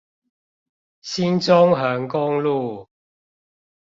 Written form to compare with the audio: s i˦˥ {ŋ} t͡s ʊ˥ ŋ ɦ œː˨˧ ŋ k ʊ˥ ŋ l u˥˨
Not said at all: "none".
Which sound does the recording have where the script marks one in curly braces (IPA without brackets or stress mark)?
n